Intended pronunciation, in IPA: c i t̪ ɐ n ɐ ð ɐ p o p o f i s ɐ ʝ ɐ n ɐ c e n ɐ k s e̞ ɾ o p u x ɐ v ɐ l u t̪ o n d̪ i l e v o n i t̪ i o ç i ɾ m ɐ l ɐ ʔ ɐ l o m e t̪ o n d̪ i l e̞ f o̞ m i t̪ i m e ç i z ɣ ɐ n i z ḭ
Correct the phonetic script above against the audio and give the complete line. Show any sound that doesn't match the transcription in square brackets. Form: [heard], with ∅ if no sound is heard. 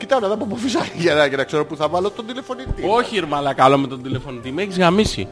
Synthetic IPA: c i t̪ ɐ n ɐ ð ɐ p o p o f i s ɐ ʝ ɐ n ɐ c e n ɐ k s e̞ ɾ o p u [θ] ɐ v ɐ l [o] t̪ o n d̪ i l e [f] o n i t̪ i o ç i ɾ m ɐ l ɐ [k] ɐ l o m e t̪ o n d̪ i l e̞ f o̞ [n] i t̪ i m e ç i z ɣ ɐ [m] i [s] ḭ